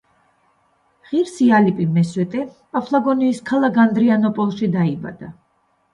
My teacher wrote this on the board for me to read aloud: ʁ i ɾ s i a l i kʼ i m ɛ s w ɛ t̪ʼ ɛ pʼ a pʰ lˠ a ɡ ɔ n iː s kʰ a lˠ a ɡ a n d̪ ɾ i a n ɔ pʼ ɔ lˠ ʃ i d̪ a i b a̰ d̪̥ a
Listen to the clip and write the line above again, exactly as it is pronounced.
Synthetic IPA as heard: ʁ i ɾ s i a l i pʼ i m ɛ s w ɛ t̪ʼ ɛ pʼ a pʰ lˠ a ɡ ɔ n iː s kʰ a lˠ a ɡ a n d̪ ɾ i a n ɔ pʼ ɔ lˠ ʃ i d̪ a i b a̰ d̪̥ a